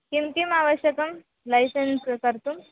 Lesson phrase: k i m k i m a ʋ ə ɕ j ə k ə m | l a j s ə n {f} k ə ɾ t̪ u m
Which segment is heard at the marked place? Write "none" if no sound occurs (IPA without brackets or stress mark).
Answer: s